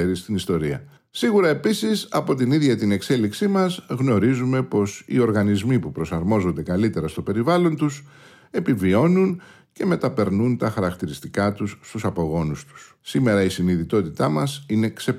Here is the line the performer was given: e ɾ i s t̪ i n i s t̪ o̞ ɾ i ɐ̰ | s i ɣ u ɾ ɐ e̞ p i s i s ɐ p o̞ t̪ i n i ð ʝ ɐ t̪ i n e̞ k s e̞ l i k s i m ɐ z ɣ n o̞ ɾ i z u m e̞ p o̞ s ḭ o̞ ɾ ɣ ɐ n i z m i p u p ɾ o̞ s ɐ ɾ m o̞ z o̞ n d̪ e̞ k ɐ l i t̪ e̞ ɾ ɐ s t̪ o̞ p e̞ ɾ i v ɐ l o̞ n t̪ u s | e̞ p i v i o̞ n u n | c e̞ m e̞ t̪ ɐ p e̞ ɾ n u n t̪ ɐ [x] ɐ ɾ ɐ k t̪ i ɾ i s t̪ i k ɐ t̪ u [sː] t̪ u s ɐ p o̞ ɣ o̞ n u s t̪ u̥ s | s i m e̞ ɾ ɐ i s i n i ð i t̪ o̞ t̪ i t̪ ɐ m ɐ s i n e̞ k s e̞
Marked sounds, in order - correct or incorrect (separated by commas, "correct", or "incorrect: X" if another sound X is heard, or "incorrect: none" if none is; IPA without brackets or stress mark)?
correct, correct